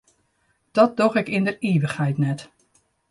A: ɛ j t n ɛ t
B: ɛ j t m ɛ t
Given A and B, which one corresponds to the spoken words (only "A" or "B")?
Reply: A